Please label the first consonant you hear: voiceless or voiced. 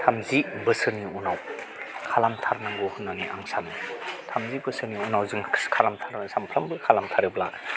voiceless